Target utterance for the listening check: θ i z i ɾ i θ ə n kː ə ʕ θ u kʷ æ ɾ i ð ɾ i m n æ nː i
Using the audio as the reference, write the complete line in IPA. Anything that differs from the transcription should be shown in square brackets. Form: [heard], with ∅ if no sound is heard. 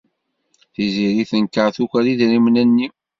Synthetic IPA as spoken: θ i z i ɾ i θ ə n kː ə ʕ θ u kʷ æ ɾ i ð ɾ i m n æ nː i